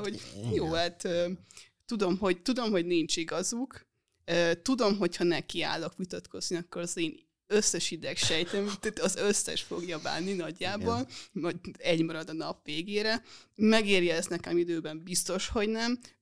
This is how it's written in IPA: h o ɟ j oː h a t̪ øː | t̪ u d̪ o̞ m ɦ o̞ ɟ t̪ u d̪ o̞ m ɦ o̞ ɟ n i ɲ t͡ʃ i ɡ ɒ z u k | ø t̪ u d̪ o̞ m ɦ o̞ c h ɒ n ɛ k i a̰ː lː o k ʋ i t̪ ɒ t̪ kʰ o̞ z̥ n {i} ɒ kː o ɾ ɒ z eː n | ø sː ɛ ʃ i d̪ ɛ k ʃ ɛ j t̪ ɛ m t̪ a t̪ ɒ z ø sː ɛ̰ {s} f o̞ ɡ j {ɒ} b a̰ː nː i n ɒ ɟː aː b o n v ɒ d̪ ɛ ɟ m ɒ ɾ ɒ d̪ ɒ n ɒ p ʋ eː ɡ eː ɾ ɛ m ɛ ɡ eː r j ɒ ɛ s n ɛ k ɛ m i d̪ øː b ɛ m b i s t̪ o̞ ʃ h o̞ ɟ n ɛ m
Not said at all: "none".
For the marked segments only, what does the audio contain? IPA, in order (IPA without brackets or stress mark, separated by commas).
i, ʃ, ɒ